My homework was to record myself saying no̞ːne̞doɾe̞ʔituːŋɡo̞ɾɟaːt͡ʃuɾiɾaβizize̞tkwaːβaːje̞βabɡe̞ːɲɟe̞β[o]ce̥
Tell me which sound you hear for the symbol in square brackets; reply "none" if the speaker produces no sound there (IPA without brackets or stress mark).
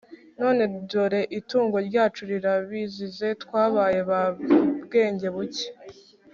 u